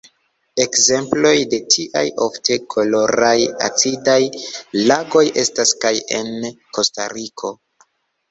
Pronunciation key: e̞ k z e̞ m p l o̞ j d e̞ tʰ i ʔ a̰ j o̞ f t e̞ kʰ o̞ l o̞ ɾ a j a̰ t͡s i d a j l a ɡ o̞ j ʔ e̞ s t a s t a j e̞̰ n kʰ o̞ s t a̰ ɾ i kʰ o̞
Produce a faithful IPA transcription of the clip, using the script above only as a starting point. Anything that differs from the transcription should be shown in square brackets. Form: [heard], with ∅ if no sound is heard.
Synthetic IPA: e̞ k z e̞ m p l o̞ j d e̞ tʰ i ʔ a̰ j o̞ f t e̞ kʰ o̞ l o̞ ɾ a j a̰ t͡s i d a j l a ɡ o̞ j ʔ e̞ s t a s [k] a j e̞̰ n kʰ o̞ s t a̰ ɾ i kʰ o̞